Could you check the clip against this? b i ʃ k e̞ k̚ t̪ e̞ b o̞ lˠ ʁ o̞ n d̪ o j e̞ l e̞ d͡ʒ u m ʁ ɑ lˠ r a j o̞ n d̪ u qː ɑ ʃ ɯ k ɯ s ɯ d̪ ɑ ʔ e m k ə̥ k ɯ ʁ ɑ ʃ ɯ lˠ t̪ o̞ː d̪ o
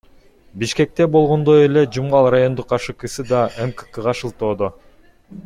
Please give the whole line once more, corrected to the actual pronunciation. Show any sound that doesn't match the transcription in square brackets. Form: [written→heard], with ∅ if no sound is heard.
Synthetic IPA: b i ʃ k e̞ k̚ t̪ e̞ b o̞ lˠ ʁ o̞ n d̪ o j e̞ l e̞ d͡ʒ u m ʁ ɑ lˠ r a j o̞ n d̪ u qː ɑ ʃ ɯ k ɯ s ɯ d̪ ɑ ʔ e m k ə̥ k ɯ ʁ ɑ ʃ ɯ lˠ t̪ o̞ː d̪ o